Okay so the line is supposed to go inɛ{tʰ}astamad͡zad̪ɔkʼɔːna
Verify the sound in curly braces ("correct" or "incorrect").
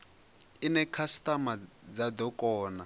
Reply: incorrect